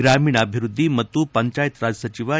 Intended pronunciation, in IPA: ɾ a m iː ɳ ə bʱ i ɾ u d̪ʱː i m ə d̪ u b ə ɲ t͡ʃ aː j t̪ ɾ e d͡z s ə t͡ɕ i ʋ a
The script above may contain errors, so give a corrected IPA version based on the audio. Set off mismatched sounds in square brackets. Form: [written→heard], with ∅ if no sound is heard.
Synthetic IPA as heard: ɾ a m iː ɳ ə bʱ i ɾ u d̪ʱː i m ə [d̪→t̪] u [b→p] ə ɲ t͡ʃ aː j t̪ ɾ [e→a] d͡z s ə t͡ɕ i ʋ a